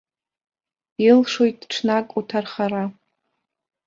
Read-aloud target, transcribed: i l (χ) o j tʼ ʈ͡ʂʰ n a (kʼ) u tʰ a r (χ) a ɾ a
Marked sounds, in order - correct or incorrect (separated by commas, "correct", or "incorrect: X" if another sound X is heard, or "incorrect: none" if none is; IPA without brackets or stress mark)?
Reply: incorrect: ʂ, correct, correct